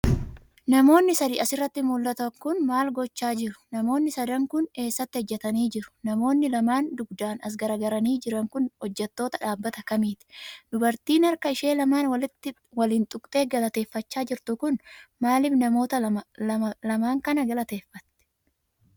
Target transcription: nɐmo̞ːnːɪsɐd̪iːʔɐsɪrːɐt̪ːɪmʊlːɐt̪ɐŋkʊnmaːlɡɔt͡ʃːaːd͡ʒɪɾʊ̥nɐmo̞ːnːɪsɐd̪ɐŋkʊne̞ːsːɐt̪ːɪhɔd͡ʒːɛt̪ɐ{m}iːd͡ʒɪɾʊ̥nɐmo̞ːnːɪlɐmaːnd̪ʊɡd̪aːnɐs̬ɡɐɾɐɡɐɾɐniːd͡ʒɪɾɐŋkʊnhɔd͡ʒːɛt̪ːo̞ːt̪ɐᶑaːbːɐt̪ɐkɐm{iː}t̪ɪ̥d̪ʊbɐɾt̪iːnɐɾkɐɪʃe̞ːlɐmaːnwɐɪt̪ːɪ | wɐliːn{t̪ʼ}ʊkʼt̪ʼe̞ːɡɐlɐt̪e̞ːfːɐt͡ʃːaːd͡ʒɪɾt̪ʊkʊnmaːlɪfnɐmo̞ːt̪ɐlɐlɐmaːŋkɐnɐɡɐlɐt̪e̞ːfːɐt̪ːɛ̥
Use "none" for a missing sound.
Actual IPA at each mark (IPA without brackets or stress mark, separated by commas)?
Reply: n, iː, t̪ʼ